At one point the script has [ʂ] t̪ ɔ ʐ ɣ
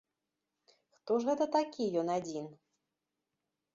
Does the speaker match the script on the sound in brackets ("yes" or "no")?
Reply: no